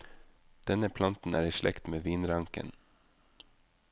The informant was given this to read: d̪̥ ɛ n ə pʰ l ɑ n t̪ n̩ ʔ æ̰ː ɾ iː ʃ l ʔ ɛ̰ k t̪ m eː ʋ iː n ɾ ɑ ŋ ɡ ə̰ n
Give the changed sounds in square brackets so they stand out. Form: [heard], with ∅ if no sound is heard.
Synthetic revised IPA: d̪̥ ɛ n ə pʰ l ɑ n t̪ n̩ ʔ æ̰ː ɾ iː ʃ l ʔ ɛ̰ k t̪ m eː ʋ iː n ɾ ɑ ŋ [k] ə̰ n